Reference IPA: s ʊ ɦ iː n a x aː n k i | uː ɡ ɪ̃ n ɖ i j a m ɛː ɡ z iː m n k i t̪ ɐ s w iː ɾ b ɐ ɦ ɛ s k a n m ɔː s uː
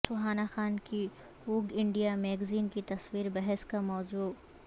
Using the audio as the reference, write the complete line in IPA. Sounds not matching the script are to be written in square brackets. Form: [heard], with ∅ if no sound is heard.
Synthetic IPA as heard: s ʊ ɦ [aː] n a x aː n k i | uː ɡ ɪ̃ [ɳ] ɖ i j a m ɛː ɡ z iː [∅] n k i t̪ ɐ s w iː ɾ b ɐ ɦ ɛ s k a [∅] m ɔː [z] uː